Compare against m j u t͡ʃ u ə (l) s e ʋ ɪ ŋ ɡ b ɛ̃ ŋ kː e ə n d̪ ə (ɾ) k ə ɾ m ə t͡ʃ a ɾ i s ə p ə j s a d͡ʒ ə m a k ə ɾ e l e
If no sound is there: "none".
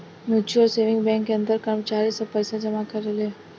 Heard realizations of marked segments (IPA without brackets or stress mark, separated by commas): l, ɾ